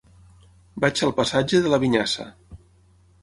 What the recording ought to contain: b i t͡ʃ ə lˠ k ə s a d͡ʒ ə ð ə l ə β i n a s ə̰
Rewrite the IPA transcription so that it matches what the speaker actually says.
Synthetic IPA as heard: b a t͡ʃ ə lˠ p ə s a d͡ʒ ə ð ə l ə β i ɲ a s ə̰